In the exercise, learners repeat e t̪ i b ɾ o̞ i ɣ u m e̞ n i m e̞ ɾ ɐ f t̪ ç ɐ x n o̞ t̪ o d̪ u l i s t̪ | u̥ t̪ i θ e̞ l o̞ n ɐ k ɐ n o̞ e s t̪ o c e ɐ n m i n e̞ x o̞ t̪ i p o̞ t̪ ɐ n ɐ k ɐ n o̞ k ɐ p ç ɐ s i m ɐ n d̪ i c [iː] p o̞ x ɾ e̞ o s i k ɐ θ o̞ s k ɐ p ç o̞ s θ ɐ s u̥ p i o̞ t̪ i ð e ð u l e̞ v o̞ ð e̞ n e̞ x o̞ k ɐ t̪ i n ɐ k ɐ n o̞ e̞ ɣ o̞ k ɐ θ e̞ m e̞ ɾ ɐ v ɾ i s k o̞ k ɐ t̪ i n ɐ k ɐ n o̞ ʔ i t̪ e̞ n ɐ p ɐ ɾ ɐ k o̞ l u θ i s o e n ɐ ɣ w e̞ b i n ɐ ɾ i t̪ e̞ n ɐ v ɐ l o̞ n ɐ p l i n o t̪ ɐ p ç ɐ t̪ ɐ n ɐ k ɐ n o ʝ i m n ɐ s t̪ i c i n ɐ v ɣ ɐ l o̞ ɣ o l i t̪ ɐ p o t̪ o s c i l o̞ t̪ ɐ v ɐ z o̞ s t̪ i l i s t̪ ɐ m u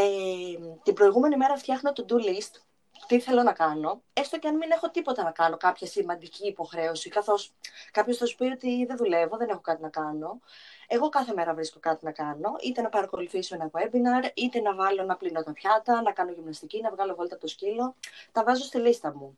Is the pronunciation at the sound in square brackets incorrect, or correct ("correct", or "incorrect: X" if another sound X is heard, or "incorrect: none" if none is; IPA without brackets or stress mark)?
correct